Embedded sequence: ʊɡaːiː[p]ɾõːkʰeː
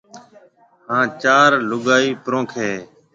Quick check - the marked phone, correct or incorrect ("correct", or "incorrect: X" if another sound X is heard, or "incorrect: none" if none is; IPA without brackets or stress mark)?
correct